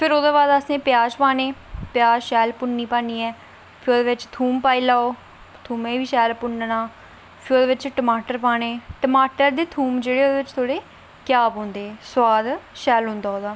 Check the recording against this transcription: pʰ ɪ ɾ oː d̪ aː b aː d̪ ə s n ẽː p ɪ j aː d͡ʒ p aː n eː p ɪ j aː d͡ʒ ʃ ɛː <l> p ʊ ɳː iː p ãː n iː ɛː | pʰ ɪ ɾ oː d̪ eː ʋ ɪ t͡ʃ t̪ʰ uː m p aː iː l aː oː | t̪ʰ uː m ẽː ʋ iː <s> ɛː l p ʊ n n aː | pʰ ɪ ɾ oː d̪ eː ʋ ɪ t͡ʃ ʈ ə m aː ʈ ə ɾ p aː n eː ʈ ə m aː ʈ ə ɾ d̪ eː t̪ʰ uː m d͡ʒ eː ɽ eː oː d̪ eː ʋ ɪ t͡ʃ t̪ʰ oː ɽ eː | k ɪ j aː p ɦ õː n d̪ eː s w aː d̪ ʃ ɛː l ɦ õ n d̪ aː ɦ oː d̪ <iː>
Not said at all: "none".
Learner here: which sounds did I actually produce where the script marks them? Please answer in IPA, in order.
l, ʃ, aː

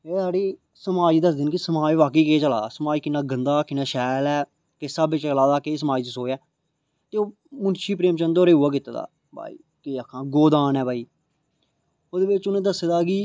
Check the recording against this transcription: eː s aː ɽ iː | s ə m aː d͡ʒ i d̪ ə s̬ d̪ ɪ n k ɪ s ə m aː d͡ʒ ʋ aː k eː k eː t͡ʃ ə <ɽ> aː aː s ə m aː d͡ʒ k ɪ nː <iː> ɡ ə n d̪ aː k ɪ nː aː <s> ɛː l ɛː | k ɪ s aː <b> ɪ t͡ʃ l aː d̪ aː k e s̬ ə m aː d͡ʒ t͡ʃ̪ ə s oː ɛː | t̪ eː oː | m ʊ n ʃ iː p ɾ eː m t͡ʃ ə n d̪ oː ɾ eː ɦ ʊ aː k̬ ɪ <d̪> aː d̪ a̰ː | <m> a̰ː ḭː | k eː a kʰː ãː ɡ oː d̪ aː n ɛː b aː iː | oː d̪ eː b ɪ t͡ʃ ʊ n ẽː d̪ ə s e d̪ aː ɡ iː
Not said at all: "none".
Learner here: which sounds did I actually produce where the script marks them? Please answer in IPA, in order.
l, aː, ʃ, b, t̪, b

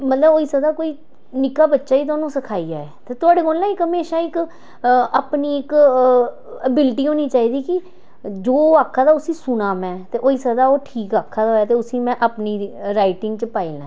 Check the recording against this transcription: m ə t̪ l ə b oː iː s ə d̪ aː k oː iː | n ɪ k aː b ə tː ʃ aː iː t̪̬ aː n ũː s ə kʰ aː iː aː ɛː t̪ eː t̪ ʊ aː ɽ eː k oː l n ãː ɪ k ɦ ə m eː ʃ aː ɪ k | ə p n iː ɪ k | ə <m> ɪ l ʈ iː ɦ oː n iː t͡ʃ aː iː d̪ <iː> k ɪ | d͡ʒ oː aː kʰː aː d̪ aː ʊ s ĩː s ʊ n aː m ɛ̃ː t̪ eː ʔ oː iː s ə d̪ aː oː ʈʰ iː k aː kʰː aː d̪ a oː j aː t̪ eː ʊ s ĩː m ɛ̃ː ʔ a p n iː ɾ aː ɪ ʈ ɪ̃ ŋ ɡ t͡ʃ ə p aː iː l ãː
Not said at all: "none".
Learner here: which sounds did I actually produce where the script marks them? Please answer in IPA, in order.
b, iː

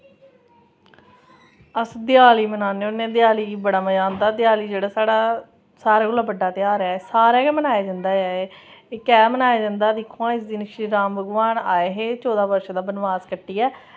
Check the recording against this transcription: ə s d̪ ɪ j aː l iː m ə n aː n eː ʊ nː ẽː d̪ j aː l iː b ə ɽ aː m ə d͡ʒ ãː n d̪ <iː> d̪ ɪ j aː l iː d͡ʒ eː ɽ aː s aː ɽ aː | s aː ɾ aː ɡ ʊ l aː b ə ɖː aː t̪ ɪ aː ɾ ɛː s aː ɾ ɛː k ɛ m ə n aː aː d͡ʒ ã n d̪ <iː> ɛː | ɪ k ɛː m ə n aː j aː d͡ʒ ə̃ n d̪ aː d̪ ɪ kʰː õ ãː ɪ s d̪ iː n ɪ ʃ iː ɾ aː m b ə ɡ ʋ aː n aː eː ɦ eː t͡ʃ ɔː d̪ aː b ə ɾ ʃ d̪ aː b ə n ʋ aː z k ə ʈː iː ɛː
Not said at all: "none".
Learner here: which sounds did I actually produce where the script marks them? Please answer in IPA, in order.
aː, aː

